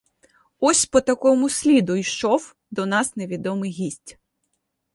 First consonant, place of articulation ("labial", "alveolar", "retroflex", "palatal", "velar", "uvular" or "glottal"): alveolar